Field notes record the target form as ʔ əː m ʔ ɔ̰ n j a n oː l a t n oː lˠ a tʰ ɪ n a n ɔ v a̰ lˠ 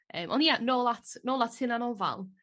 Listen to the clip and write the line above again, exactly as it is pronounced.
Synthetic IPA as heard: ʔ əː m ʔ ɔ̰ n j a n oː l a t n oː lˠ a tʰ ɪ n a n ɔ v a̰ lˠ